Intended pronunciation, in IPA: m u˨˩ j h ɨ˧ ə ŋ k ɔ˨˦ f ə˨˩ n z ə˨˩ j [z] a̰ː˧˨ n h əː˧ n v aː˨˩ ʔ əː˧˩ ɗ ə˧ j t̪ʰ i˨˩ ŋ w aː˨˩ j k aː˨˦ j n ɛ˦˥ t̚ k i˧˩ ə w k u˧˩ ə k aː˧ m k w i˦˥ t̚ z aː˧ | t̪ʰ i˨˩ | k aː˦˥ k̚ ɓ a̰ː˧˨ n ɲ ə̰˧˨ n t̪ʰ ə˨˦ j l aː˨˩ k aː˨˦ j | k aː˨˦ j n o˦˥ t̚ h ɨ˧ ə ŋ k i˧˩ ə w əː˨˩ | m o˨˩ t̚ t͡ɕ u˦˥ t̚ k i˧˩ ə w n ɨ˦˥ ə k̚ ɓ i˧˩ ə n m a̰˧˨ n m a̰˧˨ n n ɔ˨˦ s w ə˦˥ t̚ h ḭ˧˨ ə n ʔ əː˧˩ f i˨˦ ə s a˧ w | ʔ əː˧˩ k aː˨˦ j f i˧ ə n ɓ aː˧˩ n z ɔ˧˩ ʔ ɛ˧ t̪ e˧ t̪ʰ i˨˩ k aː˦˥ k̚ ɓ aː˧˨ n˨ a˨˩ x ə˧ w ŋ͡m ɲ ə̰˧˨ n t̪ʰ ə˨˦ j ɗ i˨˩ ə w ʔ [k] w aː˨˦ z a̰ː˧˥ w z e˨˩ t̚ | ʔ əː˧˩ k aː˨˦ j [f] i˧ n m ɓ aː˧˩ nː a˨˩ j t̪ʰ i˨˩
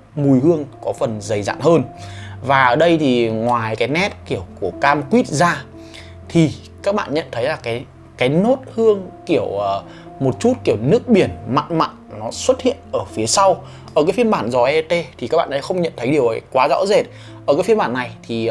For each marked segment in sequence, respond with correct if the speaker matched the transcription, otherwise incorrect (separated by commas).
correct, correct, correct